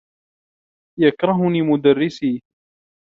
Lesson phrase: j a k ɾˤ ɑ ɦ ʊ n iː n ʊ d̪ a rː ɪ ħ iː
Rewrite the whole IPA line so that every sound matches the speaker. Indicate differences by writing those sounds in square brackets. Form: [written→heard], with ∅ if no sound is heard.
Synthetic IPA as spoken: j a k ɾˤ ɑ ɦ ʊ n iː [n→m] ʊ d̪ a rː ɪ [ħ→s] iː